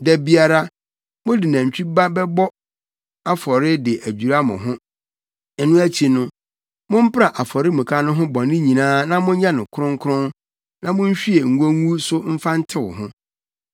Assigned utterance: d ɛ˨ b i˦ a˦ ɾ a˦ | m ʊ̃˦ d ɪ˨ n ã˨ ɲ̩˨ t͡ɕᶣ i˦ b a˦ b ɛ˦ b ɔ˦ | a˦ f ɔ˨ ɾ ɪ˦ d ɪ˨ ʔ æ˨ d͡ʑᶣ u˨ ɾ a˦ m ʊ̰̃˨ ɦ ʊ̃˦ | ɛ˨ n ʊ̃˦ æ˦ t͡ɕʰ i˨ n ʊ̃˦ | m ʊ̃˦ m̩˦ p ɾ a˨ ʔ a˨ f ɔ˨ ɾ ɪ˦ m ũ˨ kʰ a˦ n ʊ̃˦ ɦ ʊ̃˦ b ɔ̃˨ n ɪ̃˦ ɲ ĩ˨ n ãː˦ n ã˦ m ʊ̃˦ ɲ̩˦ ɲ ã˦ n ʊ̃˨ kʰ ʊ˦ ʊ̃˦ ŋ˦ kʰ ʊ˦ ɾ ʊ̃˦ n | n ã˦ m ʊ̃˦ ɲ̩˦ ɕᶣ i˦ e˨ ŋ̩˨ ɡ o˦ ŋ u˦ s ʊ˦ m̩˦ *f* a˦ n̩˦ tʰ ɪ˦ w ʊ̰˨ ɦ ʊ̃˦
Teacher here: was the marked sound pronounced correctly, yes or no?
yes